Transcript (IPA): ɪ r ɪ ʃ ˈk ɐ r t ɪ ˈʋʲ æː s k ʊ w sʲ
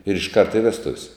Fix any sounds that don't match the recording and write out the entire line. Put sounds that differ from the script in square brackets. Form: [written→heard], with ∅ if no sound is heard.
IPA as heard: ɪ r ɪ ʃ ˈk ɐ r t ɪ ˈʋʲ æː s [k→t] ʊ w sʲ